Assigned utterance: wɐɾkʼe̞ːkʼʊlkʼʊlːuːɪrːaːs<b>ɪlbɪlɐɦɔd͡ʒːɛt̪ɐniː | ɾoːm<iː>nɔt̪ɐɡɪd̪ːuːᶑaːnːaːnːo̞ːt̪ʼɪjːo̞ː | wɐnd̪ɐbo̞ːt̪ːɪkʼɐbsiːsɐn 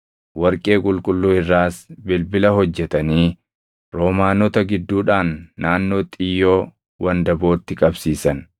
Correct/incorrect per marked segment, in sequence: correct, incorrect

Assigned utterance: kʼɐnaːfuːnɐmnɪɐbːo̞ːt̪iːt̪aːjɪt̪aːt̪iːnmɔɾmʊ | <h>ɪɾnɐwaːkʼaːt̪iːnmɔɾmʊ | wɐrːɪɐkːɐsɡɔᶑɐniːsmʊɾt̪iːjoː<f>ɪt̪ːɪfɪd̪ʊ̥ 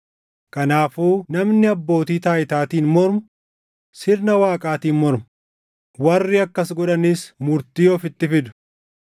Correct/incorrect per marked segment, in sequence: incorrect, correct

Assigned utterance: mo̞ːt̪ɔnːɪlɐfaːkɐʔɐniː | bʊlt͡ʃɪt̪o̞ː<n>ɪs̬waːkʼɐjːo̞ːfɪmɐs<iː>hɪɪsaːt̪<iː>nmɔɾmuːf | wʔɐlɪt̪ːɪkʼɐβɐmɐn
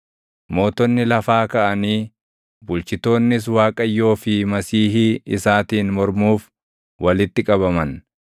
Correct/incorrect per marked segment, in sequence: incorrect, correct, correct

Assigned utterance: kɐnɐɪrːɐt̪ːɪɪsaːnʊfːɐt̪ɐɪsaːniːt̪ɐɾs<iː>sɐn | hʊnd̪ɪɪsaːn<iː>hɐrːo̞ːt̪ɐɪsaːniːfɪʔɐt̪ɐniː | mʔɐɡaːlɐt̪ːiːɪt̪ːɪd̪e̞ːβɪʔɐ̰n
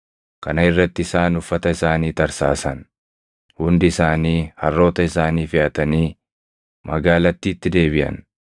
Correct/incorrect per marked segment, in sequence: incorrect, correct

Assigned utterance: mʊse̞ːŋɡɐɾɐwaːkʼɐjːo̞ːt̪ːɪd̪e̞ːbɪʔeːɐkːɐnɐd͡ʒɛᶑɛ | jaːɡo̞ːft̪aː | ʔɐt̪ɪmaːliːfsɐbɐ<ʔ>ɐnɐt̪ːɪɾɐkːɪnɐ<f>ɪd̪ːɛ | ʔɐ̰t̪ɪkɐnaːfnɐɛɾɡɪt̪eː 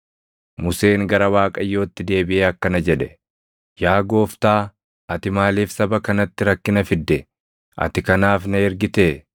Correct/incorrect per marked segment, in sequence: incorrect, correct

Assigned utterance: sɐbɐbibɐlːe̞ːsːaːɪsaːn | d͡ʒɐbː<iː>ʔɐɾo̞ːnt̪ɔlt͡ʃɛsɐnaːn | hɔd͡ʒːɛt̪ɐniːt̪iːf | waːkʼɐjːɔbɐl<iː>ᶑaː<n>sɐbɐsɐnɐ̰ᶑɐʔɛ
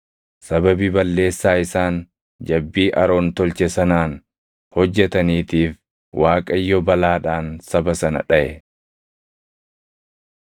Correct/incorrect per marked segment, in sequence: correct, incorrect, correct

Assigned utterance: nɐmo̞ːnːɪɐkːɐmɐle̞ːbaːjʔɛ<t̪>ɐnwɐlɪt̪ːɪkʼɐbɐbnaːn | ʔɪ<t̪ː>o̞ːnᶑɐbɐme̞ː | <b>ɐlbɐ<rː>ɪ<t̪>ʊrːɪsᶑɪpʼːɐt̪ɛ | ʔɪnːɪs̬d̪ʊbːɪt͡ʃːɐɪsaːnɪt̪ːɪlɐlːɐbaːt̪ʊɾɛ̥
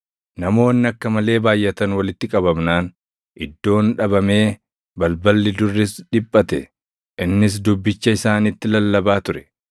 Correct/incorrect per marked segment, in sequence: correct, incorrect, correct, incorrect, incorrect

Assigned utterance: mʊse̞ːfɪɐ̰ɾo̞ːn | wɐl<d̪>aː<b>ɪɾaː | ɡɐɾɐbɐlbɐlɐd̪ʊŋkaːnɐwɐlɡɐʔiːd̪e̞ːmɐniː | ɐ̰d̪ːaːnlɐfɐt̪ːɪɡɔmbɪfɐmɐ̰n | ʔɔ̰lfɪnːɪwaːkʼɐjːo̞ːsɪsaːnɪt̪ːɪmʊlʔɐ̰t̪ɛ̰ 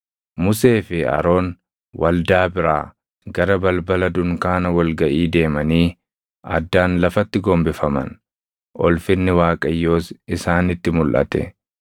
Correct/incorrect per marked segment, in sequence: correct, correct

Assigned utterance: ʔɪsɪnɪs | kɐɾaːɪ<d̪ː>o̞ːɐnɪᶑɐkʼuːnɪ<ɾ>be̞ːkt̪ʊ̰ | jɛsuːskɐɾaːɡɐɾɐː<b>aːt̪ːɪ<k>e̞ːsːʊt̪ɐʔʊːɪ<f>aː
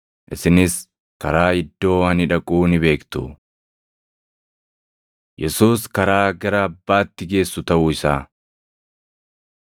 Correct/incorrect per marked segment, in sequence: correct, incorrect, incorrect, incorrect, incorrect

